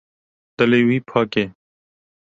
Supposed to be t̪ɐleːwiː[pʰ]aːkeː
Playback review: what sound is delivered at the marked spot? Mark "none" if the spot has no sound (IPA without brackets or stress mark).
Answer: pʰ